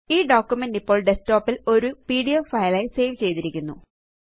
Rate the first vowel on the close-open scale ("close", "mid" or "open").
close